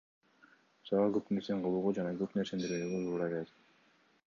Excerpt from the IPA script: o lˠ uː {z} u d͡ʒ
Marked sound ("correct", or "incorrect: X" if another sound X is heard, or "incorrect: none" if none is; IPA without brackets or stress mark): incorrect: ʁ